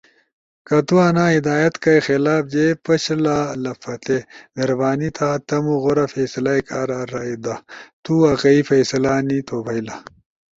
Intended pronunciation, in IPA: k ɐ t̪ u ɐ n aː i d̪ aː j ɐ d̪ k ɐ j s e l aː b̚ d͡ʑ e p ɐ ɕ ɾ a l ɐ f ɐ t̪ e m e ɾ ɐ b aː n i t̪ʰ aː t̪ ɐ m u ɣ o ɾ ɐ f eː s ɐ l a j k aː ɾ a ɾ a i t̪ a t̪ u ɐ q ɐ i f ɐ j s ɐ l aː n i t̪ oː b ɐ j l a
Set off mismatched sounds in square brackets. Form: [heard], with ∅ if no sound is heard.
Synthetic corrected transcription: k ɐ t̪ u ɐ n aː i d̪ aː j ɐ [t̪] k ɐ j [x] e l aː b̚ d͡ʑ e p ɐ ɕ [l] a l ɐ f ɐ t̪ e m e ɾ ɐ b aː n i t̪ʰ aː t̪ ɐ m u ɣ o ɾ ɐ f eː s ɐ l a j k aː ɾ a ɾ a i [d̪] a t̪ u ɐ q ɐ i f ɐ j s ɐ l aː n i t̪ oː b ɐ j l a